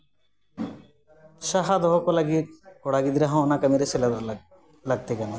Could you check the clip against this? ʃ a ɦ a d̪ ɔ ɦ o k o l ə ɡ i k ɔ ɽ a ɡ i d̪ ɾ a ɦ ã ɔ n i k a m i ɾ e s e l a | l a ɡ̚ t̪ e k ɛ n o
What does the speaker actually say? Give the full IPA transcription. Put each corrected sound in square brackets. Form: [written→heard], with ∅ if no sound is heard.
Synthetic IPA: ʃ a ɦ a d̪ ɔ ɦ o k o l [ə→a] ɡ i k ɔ ɽ a ɡ i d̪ ɾ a ɦ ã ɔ n [i→a] k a m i ɾ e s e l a | l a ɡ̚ t̪ e k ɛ n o